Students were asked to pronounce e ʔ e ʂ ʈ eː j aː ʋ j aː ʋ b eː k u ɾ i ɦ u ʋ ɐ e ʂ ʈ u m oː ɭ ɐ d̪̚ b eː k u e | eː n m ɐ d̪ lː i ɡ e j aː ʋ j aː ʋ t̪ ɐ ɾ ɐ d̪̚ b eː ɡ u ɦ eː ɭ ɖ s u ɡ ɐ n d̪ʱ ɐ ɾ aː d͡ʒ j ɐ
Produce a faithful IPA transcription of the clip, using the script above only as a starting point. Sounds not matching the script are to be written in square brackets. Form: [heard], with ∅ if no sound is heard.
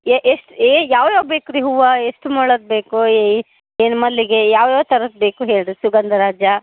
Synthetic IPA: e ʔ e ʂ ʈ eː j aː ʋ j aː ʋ b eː k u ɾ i ɦ u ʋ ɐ e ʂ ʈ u m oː ɭ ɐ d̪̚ b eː k u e | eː n m ɐ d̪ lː i ɡ e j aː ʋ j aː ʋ t̪ ɐ ɾ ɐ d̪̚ b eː [k] u ɦ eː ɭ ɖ s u ɡ ɐ n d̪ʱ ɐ ɾ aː d͡ʒ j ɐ